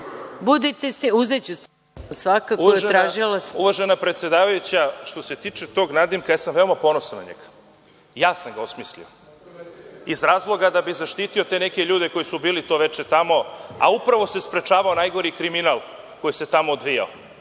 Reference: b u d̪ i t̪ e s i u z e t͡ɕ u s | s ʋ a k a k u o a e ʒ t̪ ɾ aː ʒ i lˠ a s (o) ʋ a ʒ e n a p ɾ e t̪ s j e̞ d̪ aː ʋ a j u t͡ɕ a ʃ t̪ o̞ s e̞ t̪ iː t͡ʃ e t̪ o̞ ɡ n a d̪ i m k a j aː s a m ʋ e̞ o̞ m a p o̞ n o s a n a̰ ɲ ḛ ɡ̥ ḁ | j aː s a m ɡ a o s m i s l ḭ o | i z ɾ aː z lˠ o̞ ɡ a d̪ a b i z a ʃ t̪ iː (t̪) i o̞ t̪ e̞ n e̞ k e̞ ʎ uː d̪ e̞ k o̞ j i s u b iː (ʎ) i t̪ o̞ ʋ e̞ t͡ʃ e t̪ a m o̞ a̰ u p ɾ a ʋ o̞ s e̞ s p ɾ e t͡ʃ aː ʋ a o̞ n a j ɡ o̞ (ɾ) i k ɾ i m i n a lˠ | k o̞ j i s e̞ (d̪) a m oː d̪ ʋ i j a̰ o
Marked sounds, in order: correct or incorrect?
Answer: incorrect: u, correct, incorrect: l, correct, incorrect: t̪

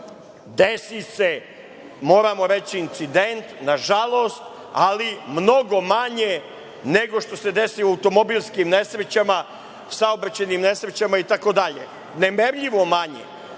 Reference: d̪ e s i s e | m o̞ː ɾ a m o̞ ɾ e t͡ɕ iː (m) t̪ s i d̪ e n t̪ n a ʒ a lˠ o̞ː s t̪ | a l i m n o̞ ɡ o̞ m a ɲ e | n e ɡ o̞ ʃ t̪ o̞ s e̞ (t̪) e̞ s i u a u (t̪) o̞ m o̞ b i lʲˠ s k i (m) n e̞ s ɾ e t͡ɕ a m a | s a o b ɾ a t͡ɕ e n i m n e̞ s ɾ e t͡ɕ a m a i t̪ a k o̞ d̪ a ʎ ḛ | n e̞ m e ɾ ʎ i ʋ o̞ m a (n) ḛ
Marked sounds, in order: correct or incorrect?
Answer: incorrect: n, incorrect: d̪, correct, correct, incorrect: ɲ

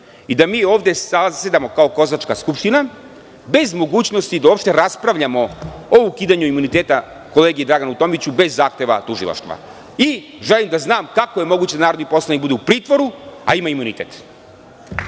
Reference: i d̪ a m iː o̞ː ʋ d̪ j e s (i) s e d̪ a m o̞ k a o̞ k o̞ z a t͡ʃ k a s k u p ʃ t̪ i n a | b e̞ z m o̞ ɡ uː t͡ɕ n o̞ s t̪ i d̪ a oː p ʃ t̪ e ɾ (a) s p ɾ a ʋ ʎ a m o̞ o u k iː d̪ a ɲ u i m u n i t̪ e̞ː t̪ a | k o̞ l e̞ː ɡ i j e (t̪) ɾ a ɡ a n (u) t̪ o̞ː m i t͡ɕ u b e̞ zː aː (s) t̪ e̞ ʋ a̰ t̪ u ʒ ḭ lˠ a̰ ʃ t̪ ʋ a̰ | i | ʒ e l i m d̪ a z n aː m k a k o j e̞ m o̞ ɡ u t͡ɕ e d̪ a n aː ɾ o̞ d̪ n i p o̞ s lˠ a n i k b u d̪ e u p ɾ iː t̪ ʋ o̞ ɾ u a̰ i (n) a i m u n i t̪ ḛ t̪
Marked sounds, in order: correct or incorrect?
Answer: incorrect: a, correct, incorrect: d̪, correct, incorrect: x, incorrect: m

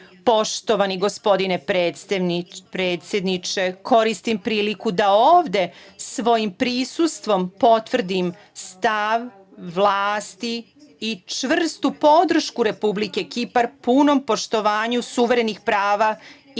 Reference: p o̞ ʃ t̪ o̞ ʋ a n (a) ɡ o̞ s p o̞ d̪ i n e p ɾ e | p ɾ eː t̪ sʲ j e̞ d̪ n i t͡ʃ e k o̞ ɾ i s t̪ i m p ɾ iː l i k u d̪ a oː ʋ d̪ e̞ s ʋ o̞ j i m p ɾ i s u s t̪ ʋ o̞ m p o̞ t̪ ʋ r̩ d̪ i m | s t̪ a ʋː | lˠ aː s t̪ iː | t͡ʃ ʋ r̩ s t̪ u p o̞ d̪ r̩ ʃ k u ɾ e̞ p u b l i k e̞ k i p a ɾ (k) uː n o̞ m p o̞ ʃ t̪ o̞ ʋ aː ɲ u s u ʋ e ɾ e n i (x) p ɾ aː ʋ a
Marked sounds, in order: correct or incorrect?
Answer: incorrect: i, incorrect: p, correct

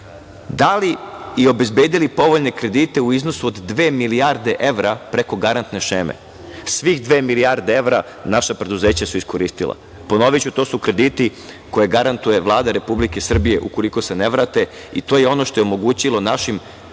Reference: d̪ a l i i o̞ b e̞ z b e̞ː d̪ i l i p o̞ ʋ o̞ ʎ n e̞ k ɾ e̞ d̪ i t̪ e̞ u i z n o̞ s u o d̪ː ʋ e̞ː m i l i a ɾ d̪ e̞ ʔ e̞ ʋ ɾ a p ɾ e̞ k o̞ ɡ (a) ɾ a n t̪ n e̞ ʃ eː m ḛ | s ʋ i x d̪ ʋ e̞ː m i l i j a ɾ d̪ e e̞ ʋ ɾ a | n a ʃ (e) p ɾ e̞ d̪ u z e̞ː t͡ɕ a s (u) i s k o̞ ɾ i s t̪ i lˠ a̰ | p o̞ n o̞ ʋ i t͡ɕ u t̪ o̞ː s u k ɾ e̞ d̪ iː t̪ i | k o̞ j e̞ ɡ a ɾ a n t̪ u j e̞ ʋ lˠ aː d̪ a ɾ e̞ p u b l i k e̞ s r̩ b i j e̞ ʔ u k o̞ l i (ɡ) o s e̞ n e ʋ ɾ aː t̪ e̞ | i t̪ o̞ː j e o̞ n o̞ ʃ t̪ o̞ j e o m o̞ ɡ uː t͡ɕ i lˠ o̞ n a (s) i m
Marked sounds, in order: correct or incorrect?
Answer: correct, incorrect: a, correct, incorrect: k, incorrect: ʃ

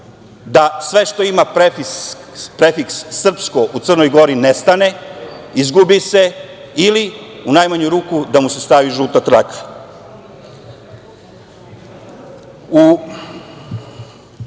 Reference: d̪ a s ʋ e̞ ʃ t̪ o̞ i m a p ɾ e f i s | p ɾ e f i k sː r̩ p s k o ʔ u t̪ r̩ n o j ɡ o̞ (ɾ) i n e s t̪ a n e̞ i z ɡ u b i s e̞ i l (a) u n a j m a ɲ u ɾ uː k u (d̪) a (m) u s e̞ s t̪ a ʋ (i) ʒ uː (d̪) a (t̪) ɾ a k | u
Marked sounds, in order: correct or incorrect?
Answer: correct, incorrect: i, correct, correct, correct, incorrect: t̪, correct

